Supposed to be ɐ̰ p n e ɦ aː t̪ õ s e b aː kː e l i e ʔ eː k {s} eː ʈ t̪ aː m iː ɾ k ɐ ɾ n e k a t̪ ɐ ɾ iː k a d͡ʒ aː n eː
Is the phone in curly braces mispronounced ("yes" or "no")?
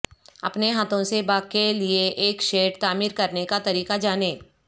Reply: yes